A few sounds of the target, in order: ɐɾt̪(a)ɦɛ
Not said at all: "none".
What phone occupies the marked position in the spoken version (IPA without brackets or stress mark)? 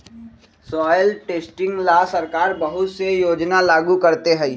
e